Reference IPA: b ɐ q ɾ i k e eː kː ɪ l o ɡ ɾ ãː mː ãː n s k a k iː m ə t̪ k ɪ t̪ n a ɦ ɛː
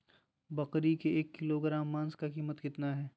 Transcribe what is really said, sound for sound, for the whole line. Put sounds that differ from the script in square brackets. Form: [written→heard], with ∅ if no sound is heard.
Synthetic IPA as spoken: b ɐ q ɾ i k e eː kː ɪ l o ɡ ɾ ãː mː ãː n s k a k iː m ə t̪ k ɪ t̪ n a ɦ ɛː